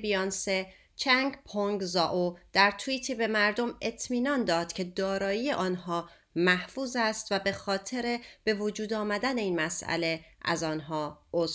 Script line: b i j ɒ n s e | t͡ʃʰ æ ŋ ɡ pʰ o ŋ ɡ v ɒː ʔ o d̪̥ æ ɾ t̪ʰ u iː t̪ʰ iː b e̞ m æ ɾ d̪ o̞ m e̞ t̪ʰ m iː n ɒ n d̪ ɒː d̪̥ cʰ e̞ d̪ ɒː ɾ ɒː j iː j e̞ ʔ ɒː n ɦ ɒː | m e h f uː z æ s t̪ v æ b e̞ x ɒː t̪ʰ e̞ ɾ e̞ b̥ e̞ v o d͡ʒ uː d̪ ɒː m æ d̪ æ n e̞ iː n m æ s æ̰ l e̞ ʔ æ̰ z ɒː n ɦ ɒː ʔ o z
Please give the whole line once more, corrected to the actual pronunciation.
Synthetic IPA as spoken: b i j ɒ n s e | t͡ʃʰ æ ŋ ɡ pʰ o ŋ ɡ z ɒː ʔ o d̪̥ æ ɾ t̪ʰ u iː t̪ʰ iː b e̞ m æ ɾ d̪ o̞ m e̞ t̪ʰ m iː n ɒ n d̪ ɒː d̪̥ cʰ e̞ d̪ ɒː ɾ ɒː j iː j e̞ ʔ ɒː n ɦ ɒː | m æ h f uː z æ s t̪ v æ b e̞ x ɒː t̪ʰ e̞ ɾ e̞ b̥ e̞ v o d͡ʒ uː d̪ ɒː m æ d̪ æ n e̞ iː n m æ s æ̰ l e̞ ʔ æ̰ z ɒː n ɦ ɒː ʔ o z